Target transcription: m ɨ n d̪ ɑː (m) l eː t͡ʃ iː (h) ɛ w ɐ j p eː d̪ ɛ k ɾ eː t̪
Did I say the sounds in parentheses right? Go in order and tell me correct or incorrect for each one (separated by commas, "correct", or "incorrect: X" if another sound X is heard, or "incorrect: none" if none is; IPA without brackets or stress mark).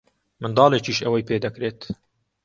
incorrect: none, incorrect: ʃ